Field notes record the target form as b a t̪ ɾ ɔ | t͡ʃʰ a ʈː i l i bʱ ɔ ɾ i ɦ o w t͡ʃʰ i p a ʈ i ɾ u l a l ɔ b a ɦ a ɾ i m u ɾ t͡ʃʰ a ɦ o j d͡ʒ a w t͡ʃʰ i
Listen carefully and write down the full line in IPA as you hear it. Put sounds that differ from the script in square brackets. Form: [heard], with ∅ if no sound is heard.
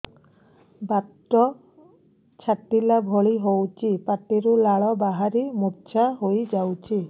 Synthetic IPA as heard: b a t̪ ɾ ɔ | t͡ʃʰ a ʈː i l [a] bʱ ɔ [ɭ] i ɦ o w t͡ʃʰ i p a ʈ i ɾ u l a [ɭ] ɔ b a ɦ a ɾ i m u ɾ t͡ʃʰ a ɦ o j d͡ʒ a w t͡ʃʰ i

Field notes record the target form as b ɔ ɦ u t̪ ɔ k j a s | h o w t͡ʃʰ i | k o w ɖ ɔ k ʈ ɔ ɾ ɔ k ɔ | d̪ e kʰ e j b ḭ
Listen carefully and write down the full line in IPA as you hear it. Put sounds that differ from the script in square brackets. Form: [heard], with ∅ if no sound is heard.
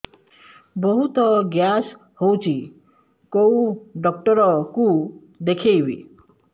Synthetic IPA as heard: b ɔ ɦ u t̪ ɔ [ɡ] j a s | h o w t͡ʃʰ i | k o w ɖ ɔ k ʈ ɔ ɾ ɔ k [u] | d̪ e kʰ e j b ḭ

